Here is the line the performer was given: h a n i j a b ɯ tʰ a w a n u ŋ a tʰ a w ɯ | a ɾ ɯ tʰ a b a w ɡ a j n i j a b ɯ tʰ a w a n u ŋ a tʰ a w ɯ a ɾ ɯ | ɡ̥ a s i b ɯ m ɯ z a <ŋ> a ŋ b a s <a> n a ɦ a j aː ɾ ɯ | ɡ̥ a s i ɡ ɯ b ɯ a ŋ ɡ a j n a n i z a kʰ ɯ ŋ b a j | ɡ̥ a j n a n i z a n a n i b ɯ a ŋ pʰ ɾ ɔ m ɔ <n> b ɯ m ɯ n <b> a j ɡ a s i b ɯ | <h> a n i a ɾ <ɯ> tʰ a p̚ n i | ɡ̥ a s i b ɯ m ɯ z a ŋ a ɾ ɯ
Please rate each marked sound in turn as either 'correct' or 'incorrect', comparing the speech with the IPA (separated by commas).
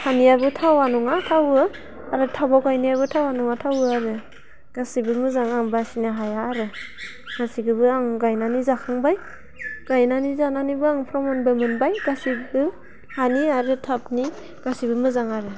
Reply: correct, incorrect, correct, correct, correct, correct